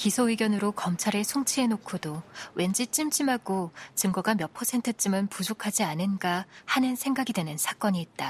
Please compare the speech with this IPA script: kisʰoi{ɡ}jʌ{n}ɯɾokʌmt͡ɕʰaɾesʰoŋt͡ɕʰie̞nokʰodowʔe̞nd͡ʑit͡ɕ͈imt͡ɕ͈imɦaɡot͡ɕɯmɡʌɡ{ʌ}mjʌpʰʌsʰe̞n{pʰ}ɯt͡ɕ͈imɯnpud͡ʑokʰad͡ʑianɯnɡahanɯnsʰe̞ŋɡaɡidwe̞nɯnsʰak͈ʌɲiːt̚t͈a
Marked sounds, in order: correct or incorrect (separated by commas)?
correct, correct, incorrect, incorrect